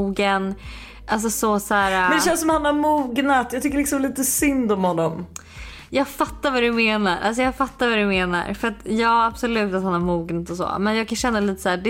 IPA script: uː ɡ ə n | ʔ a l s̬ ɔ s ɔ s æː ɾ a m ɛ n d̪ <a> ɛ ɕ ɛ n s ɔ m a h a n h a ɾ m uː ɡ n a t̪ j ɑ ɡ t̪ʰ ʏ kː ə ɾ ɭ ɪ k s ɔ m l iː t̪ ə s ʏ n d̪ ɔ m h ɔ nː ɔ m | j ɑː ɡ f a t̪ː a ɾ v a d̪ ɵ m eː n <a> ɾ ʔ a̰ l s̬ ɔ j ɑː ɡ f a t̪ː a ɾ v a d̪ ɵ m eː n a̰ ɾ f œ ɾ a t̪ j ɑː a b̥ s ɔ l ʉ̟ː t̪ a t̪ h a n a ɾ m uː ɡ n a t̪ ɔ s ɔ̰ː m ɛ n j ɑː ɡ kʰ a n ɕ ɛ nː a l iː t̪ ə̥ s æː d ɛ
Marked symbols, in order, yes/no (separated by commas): no, yes